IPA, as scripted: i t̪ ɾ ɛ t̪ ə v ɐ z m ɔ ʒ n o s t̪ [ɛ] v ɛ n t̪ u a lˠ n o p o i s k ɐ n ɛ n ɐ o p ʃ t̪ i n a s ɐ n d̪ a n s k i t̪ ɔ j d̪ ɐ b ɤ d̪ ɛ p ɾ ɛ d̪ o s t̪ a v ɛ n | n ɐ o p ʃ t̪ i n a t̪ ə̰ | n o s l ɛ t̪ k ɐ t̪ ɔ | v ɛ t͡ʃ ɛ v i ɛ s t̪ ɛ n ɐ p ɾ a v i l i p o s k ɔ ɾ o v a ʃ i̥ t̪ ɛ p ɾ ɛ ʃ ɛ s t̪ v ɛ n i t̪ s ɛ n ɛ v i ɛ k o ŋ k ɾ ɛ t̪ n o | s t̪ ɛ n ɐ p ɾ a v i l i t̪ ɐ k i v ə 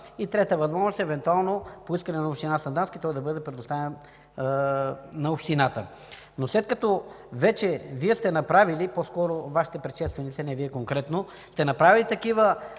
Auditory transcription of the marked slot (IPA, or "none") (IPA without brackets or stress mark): ɛ